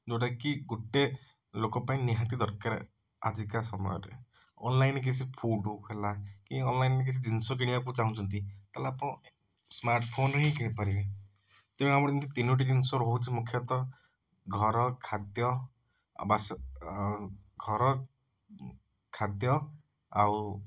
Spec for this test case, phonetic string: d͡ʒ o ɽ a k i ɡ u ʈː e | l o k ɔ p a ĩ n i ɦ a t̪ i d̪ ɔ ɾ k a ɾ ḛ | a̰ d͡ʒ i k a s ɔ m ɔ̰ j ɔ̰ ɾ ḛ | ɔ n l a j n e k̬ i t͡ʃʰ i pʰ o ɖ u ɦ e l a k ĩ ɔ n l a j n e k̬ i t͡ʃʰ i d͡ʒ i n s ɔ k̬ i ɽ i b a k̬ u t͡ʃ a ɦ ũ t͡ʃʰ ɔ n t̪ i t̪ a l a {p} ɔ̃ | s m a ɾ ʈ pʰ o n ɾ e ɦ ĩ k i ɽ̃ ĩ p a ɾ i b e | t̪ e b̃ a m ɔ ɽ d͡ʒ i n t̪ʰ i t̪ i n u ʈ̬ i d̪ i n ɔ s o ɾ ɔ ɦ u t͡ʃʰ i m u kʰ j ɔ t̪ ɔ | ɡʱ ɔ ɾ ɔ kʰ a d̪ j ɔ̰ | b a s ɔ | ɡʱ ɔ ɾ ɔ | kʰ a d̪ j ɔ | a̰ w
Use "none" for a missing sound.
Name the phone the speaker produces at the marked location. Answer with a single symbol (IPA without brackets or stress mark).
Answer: p